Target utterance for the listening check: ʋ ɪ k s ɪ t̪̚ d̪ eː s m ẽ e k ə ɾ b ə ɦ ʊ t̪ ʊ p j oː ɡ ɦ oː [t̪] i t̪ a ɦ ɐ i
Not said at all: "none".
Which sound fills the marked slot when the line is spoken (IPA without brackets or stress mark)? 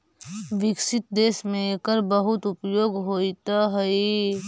none